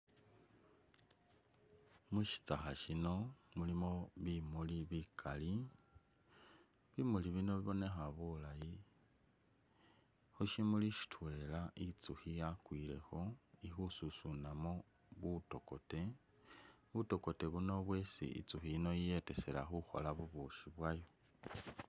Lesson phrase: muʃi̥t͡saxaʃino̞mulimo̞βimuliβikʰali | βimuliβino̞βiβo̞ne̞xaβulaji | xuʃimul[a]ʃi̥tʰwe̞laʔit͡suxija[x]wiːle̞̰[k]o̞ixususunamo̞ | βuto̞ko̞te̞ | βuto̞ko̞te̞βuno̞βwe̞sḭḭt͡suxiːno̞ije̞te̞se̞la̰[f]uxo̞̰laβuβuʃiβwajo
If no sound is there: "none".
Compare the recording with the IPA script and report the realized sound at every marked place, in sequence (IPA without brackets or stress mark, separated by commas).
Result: i, k, x, x